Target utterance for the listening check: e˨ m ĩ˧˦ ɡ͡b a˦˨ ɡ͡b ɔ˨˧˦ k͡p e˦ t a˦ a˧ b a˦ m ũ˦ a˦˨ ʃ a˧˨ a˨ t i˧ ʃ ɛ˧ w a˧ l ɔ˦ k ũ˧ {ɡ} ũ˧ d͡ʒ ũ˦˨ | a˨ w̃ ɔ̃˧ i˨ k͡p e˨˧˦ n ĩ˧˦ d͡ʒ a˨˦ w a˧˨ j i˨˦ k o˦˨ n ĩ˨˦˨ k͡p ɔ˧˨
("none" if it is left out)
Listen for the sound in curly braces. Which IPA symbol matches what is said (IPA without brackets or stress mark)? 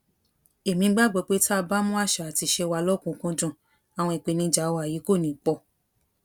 k